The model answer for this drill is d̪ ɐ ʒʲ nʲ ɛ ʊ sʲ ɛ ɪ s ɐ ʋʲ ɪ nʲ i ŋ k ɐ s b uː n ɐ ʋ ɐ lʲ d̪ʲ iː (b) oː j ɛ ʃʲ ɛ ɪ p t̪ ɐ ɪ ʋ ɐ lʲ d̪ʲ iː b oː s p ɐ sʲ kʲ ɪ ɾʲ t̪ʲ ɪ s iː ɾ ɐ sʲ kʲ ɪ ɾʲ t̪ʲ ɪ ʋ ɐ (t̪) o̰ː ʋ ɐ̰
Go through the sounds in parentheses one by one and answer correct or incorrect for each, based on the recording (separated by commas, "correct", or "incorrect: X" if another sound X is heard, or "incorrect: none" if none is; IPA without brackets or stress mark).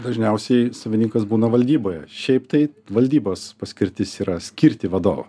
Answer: correct, incorrect: d̪